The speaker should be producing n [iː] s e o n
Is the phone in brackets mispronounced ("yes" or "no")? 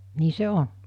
no